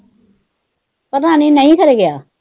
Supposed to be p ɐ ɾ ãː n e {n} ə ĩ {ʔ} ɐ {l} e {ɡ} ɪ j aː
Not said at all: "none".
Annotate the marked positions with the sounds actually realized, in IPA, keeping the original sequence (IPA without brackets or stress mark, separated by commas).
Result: n, k, ɾ, ɡ